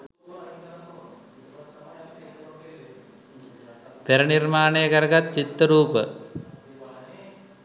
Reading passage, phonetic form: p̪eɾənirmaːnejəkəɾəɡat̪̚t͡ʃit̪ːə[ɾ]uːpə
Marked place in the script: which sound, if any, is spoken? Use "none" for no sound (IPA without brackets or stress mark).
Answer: ɾ